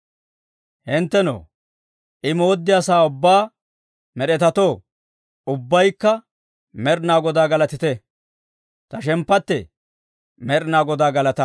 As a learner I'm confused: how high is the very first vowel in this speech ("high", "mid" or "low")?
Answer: high